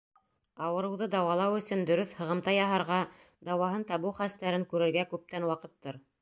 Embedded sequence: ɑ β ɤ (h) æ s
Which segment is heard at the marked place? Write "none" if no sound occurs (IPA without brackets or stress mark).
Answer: χ